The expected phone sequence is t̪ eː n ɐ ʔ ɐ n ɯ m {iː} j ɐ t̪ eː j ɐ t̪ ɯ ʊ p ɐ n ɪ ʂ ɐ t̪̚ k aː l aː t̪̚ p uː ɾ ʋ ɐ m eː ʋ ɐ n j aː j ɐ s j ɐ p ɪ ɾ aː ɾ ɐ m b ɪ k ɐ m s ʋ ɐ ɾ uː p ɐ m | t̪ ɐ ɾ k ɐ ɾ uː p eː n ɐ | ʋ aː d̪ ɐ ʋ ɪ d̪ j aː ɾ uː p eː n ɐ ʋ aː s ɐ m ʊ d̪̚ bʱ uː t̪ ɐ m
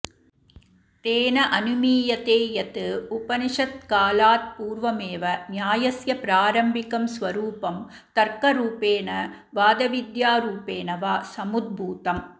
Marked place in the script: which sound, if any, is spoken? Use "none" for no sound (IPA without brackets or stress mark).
iː